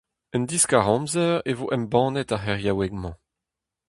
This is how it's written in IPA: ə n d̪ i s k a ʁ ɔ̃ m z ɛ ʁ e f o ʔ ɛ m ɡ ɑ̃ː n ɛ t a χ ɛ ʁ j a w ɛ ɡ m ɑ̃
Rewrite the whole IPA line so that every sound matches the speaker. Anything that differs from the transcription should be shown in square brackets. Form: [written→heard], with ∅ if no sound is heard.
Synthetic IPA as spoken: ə n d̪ i s k a ʁ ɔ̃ m z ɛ ʁ e [f→v] o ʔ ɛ m [ɡ→b] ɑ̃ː n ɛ t a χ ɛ ʁ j a w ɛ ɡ m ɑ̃